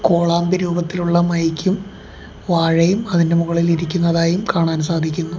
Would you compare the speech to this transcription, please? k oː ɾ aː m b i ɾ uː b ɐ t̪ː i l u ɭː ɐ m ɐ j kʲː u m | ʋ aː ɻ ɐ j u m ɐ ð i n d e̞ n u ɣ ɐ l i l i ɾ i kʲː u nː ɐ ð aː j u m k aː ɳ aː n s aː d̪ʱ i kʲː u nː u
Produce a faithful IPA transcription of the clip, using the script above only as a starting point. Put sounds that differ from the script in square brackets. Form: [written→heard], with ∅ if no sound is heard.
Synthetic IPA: k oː [ɾ→ɭ] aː m b i ɾ uː b ɐ t̪ː i l u ɭː ɐ m ɐ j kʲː u m | ʋ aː ɻ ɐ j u m ɐ ð i n d e̞ [n→m] u ɣ ɐ [l→ɭ] i l i ɾ i kʲː u nː ɐ ð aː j u m k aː ɳ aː n s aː d̪ʱ i kʲː u nː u